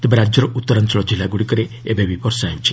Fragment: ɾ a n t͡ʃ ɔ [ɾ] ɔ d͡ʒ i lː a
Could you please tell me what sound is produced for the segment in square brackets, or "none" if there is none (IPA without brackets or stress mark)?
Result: ɭ